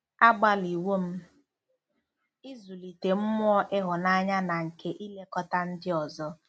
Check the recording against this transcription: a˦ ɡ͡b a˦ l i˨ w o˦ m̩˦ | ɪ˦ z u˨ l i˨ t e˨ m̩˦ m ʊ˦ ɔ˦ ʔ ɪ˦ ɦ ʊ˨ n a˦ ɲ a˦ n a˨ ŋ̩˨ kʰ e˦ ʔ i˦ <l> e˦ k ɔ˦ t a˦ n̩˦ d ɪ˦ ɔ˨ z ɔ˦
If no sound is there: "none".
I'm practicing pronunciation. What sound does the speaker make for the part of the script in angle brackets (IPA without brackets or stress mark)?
l